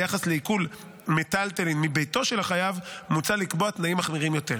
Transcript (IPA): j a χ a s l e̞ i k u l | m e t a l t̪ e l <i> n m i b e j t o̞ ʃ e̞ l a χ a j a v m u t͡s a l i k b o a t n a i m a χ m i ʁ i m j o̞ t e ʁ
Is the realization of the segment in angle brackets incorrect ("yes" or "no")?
no